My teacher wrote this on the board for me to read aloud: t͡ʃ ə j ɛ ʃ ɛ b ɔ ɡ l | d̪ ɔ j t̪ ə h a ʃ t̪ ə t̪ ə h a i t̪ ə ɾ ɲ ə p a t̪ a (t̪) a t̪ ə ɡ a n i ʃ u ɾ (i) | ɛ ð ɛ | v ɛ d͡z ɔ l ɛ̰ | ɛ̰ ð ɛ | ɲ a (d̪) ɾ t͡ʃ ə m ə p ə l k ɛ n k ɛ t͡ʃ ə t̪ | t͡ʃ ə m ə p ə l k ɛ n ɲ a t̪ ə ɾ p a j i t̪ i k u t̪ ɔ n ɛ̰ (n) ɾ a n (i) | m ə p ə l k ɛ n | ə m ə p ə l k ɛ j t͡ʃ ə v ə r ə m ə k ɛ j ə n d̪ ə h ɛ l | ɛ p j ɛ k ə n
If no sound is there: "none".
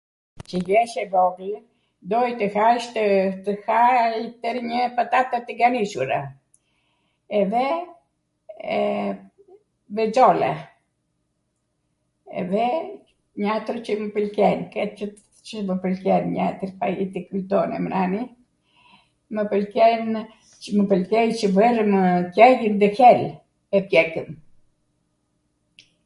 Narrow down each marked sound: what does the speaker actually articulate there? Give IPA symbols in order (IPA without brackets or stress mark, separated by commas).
t̪, a, t̪, m, i